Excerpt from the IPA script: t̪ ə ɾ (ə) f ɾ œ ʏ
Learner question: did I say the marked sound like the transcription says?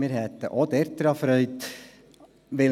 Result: no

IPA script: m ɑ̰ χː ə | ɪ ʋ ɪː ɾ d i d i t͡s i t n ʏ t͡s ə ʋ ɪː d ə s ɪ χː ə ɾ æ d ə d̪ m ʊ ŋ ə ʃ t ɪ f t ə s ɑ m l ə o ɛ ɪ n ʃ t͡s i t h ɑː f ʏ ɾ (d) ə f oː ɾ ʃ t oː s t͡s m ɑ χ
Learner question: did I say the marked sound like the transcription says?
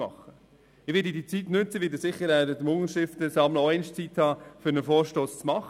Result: no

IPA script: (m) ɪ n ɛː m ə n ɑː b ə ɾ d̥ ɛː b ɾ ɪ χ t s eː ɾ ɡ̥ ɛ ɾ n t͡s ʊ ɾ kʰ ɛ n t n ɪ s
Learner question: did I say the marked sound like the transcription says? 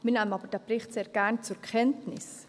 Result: yes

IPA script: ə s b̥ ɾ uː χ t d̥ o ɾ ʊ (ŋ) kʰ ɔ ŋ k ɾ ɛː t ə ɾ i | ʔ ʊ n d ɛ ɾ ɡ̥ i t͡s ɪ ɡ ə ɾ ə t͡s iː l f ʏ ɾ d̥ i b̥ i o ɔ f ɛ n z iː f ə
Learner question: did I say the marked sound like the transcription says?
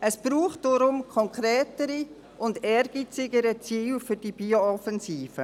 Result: no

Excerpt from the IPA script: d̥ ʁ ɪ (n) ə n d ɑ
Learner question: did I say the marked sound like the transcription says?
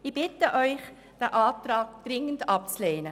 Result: no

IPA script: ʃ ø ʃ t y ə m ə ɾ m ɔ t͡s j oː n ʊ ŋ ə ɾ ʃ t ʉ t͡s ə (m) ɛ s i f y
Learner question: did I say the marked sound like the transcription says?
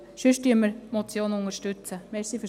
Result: yes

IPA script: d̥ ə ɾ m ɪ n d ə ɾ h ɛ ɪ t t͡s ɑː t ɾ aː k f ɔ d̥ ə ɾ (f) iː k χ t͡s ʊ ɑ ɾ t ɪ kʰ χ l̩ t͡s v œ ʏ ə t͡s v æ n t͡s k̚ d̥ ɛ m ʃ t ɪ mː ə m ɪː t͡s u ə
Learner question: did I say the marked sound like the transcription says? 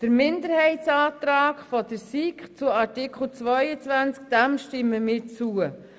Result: no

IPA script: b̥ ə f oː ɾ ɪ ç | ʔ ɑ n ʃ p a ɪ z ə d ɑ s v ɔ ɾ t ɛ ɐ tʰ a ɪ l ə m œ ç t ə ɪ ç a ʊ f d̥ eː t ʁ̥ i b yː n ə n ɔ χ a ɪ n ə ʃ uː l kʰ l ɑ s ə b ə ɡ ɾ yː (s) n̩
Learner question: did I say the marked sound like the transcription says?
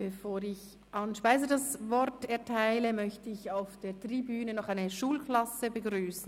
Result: yes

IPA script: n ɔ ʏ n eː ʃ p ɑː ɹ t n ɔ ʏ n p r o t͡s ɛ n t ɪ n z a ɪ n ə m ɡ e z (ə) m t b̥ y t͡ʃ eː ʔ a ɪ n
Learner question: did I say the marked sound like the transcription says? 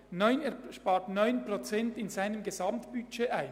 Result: no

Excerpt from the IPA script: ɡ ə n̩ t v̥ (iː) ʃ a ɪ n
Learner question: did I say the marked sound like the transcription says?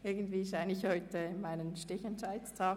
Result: yes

